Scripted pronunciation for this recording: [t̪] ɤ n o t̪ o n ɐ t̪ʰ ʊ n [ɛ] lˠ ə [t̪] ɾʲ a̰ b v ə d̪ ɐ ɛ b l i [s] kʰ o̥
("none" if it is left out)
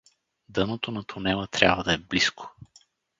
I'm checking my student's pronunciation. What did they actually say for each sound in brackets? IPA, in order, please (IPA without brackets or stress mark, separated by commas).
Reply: d̪, ɛ, t̪, s